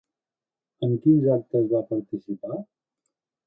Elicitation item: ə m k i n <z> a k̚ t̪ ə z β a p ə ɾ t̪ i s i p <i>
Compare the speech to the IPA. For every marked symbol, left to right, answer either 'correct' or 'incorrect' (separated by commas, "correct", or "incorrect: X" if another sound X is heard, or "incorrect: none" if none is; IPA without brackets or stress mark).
correct, incorrect: a